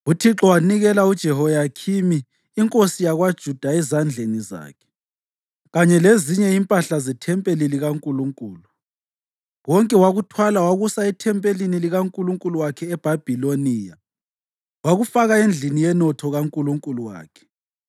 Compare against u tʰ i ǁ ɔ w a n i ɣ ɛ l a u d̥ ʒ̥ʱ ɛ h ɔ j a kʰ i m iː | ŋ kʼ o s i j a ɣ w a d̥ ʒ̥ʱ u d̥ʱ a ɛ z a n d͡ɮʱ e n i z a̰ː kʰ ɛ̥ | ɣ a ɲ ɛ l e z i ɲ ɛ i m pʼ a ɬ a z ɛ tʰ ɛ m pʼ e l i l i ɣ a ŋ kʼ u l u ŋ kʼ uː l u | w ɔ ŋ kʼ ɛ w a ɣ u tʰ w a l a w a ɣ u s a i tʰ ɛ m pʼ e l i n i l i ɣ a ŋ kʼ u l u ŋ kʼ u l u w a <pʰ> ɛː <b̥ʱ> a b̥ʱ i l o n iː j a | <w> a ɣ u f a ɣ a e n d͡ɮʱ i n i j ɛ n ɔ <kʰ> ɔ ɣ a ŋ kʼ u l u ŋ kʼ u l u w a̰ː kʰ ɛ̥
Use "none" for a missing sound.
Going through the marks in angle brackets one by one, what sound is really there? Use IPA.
kʰ, b̥ʱ, w, tʰ

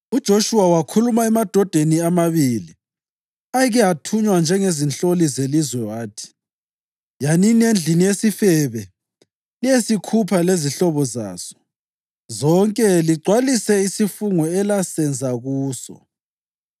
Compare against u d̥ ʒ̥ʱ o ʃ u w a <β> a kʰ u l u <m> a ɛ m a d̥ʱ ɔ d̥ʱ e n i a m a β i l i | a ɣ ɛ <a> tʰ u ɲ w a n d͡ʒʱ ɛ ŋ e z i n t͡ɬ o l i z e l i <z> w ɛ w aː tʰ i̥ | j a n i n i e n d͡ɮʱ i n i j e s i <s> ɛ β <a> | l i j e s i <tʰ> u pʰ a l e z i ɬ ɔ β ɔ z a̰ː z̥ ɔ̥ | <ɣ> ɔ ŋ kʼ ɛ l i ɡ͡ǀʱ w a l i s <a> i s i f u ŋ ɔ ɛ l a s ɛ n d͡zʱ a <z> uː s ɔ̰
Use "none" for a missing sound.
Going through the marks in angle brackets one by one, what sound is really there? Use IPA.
w, m, a, z, f, ɛ, kʰ, z, ɛ, ɣ

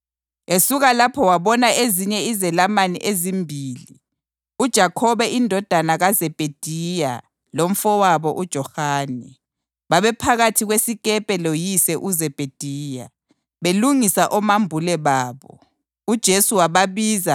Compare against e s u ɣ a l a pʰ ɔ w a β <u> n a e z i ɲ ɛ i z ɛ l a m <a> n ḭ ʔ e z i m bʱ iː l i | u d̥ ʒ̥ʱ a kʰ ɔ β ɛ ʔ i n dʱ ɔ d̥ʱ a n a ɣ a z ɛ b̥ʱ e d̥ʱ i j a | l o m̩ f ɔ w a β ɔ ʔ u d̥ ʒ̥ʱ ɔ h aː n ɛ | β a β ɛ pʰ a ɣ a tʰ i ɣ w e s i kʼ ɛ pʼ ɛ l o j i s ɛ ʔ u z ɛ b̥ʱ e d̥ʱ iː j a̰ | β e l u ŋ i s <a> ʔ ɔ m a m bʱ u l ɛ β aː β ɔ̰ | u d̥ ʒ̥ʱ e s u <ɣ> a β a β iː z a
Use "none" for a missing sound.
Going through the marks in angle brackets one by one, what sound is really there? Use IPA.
ɔ, a, a, w

